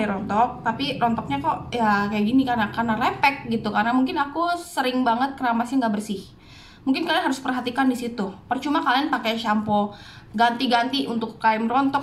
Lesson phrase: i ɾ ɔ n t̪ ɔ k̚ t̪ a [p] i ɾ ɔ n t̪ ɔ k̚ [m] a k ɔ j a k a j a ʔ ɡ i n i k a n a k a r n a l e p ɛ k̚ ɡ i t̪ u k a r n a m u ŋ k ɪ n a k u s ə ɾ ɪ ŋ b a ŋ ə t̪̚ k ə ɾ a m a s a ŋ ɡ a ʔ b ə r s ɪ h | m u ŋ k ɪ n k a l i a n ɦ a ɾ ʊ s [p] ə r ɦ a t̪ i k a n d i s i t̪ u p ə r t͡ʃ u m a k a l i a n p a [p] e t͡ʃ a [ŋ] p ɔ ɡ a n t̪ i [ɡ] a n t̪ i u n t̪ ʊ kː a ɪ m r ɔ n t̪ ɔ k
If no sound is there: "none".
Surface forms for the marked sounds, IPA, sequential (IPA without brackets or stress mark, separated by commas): p, ɲ, p, k, m, ɡ